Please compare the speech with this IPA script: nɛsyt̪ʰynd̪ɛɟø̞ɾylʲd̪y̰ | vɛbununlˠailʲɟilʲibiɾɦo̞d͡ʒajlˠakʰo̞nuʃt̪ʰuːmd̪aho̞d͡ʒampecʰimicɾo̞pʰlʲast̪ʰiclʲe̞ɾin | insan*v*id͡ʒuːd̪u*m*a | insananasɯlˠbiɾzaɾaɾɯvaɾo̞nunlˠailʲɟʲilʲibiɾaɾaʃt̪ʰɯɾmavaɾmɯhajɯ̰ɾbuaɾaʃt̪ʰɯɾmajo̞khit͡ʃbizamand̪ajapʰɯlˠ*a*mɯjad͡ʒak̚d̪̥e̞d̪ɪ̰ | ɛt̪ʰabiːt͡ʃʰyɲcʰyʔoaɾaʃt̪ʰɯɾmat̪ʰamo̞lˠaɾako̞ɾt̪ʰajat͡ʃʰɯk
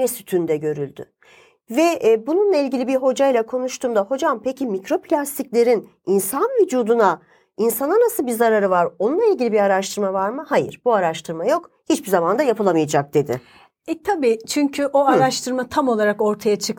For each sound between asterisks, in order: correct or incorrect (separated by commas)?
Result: correct, incorrect, correct